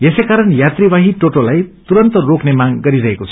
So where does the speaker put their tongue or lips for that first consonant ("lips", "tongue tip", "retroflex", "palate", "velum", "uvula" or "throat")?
tongue tip